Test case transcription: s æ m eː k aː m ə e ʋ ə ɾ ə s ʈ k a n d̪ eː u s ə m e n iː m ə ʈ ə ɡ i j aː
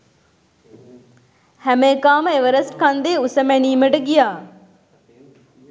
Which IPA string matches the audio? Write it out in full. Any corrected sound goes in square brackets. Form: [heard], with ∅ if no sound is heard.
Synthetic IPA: [h] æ m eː k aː m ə e ʋ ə ɾ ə s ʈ k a n d̪ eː u s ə m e n iː m ə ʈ ə ɡ i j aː